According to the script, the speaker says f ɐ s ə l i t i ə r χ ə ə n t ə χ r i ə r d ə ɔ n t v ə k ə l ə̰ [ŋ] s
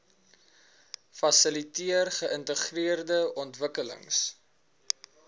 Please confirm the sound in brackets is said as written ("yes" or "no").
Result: yes